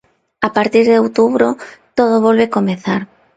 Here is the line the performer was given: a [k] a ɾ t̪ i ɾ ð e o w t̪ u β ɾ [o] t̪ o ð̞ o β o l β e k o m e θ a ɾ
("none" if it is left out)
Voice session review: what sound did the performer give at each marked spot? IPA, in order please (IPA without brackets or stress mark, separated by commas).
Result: p, o